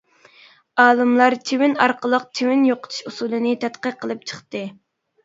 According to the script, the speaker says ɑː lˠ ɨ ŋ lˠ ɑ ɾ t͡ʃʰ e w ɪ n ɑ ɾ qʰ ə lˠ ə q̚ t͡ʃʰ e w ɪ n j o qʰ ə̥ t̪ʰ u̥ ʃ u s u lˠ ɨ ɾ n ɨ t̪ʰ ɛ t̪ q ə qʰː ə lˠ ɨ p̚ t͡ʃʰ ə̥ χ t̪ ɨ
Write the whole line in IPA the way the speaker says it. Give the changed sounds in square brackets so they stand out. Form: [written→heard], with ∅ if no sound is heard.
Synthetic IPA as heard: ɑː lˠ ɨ [ŋ→m] lˠ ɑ ɾ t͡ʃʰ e w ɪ n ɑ ɾ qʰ ə lˠ ə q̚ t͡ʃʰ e w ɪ n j o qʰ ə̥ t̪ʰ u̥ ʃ u s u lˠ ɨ [ɾ→∅] n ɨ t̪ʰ ɛ t̪ q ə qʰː ə lˠ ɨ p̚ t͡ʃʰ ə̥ χ t̪ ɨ